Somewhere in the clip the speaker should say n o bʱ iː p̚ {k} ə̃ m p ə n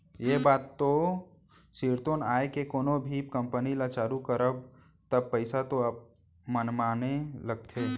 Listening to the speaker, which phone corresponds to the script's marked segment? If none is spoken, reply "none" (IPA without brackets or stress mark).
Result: k